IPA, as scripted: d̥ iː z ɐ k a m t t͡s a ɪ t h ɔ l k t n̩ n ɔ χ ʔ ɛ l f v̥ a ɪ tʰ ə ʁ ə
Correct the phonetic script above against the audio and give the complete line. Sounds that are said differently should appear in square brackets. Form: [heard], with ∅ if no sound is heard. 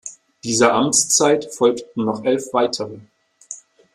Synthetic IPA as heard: d̥ iː z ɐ [ʔ] a m [t͡s] t͡s a ɪ t [f] ɔ l k t n̩ n ɔ χ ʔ ɛ l f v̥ a ɪ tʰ ə ʁ ə